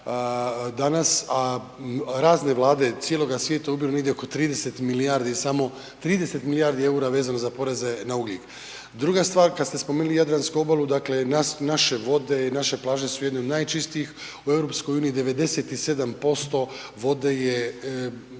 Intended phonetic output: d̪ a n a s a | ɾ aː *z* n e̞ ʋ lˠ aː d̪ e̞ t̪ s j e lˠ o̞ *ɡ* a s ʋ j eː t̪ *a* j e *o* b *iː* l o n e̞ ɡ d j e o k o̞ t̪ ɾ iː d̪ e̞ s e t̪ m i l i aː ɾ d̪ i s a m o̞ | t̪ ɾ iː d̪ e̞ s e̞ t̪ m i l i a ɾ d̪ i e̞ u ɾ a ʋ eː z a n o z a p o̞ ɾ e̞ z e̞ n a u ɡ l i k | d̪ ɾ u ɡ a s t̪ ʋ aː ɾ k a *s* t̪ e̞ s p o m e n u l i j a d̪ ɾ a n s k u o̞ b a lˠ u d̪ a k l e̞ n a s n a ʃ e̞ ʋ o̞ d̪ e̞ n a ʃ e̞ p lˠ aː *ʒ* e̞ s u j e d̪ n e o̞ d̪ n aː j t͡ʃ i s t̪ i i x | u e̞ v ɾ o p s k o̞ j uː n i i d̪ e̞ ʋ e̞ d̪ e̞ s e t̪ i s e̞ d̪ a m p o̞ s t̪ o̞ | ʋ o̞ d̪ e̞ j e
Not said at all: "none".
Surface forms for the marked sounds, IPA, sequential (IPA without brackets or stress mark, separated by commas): z, ɡ, a, u, i, s, ʒ